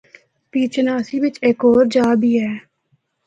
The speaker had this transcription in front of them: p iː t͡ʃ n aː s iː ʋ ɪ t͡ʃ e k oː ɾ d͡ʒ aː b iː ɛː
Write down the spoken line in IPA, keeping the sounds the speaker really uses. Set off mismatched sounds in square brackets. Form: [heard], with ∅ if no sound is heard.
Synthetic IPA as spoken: p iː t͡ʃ n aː s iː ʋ ɪ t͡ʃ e k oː ɾ d͡ʒ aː b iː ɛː